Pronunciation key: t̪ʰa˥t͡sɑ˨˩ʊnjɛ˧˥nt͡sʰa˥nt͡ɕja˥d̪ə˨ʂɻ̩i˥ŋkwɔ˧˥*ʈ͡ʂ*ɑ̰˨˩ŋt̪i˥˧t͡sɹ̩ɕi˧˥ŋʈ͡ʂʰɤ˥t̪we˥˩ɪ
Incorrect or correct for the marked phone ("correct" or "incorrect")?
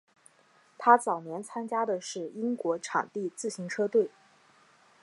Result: incorrect